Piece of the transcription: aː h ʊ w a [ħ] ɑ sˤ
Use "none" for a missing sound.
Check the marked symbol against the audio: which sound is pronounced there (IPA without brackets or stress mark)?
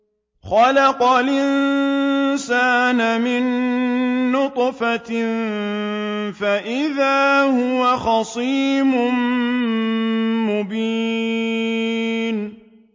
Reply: x